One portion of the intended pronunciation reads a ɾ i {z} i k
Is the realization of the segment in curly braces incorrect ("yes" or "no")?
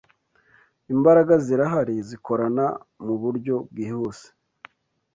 no